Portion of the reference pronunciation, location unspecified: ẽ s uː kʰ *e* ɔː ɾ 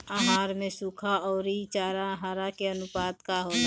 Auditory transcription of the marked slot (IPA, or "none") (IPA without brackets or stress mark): a